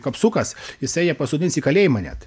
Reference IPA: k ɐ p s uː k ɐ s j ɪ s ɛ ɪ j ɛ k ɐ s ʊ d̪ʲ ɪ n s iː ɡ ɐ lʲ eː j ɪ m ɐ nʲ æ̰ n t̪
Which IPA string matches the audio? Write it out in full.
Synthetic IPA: k ɐ p s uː k ɐ s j ɪ s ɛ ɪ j ɛ p ɐ s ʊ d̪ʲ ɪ n s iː k ɐ lʲ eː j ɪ m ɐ nʲ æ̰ t̪